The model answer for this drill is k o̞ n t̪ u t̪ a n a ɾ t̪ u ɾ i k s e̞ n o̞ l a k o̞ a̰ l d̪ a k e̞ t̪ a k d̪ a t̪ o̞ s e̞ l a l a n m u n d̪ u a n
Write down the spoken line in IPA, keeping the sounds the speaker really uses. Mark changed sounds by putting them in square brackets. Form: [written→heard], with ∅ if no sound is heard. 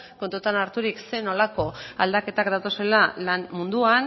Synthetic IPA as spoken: k o̞ n t̪ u t̪ a n a ɾ t̪ u ɾ i k s e̞ n o̞ l a k o̞ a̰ l d̪ a k e̞ t̪ a k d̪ a t̪ o̞ s e̞ l a l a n m u n d̪ u a n